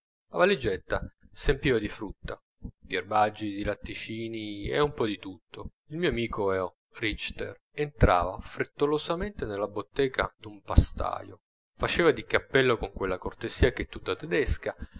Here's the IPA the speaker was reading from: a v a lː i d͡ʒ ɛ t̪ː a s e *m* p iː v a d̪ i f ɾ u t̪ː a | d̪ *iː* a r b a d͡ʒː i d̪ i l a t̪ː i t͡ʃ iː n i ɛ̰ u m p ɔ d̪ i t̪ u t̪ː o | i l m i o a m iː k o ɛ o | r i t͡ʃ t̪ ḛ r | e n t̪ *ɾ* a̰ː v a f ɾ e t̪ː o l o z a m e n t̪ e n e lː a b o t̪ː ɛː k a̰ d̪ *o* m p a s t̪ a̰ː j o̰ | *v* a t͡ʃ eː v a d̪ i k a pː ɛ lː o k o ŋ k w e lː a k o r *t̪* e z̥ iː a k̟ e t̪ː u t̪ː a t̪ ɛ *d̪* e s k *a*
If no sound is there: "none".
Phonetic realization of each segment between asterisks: m, i, ɾ, u, f, t̪, d̪, a

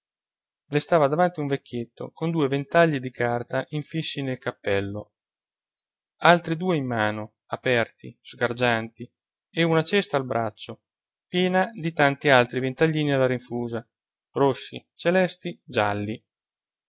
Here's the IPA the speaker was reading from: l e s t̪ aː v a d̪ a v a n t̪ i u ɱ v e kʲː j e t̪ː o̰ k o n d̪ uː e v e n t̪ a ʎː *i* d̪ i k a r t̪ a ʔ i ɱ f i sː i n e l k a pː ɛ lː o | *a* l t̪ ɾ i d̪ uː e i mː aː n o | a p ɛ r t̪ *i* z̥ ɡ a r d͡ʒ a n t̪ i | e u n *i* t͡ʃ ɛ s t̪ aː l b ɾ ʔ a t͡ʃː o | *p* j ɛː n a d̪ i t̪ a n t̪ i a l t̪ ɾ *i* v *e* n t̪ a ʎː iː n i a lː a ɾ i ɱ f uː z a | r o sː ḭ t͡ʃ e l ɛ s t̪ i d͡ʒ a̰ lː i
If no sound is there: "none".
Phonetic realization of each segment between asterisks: i, a, i, a, p, i, e

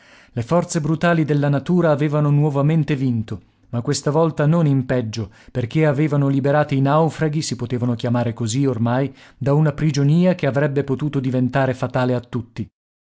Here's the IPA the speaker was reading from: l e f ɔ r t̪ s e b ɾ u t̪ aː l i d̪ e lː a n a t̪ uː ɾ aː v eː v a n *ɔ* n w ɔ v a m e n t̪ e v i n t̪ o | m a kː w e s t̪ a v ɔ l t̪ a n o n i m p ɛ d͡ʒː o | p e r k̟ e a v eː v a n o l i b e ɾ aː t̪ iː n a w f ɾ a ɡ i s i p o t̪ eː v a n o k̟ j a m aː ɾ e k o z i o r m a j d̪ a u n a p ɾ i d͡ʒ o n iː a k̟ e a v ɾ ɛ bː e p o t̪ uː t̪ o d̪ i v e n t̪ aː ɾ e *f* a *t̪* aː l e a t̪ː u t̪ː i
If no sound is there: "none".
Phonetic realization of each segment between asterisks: o, f, t̪

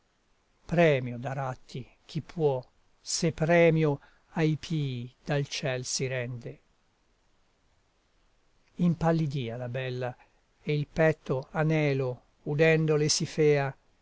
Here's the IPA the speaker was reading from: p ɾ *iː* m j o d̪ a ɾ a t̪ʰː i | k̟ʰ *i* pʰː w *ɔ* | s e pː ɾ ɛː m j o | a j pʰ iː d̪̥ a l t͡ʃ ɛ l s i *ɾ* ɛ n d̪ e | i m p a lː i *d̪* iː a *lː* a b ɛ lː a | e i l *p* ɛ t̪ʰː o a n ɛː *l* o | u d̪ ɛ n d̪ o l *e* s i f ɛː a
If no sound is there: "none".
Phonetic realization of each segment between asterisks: ɛː, i, ɔ, ɾ, d̪, l, p, l, e

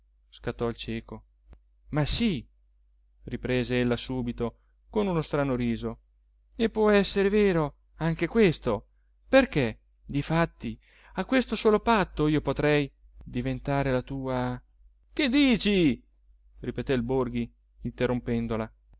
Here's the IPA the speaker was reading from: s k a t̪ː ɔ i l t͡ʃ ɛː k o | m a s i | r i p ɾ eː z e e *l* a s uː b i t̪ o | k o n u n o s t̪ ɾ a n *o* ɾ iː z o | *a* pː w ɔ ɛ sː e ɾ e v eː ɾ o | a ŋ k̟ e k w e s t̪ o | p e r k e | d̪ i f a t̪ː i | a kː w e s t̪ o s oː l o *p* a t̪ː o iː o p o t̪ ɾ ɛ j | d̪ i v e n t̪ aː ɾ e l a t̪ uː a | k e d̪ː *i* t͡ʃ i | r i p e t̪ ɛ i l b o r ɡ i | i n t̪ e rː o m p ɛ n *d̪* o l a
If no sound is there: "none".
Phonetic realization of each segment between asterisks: lː, o, e, p, iː, d̪

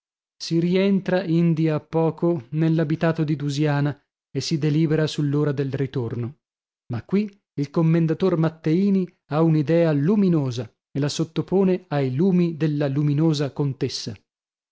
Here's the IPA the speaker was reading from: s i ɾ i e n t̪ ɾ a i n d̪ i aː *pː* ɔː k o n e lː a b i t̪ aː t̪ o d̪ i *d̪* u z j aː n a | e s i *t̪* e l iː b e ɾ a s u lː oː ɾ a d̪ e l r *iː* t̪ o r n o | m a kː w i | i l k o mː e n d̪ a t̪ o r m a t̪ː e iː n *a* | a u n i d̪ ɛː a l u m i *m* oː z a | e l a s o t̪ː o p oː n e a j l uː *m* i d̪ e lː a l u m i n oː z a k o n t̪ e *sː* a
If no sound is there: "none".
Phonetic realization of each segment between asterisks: pː, d̪, d̪, i, i, n, m, sː

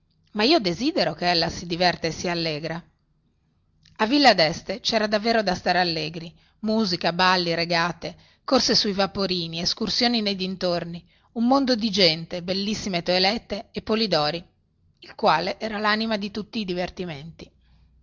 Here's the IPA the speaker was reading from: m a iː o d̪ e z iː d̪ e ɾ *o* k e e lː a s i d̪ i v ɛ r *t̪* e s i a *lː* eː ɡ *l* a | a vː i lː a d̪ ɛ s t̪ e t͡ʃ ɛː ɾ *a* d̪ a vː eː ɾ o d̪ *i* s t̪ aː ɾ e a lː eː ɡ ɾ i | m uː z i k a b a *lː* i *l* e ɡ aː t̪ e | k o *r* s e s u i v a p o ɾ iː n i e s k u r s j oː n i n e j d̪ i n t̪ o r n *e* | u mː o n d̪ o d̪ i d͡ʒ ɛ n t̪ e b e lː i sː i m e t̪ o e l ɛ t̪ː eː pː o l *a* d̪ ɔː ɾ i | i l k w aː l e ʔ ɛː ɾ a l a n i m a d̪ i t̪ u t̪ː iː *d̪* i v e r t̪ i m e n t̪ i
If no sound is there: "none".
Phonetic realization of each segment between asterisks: o, t̪, lː, ɾ, a, a, lː, ɾ, r, i, i, d̪

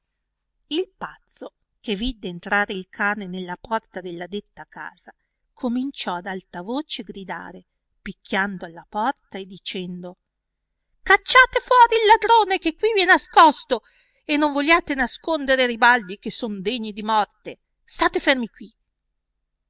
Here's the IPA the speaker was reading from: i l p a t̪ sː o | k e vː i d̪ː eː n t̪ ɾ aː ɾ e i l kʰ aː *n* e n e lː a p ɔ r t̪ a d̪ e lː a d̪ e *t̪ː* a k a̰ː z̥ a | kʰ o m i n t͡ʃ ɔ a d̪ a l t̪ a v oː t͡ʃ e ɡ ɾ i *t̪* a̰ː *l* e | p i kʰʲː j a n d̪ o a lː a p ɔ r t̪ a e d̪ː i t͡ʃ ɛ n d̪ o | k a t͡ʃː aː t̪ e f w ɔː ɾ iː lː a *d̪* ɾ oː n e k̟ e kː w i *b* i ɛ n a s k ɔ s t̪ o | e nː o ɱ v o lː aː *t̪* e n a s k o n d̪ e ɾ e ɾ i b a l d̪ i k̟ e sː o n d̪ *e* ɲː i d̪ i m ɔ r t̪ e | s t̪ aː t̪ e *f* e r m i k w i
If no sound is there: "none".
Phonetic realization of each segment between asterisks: n, t̪ː, d̪, ɾ, d̪, v, t̪, e, f

